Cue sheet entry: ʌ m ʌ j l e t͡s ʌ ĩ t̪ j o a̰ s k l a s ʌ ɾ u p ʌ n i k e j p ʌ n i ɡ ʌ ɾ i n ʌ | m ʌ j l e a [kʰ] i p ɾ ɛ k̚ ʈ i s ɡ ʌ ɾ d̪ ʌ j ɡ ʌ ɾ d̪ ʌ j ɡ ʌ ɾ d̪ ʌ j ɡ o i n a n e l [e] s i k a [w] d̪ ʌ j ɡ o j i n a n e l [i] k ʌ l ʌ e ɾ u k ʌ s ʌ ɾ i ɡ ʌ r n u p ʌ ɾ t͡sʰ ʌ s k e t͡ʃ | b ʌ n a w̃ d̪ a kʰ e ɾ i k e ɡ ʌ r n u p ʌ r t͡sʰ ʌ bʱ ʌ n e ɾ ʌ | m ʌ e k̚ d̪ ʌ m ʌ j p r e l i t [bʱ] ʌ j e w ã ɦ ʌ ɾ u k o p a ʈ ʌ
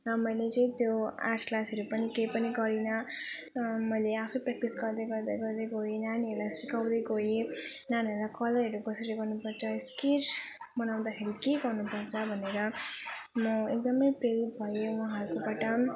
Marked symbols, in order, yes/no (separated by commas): no, no, yes, no, yes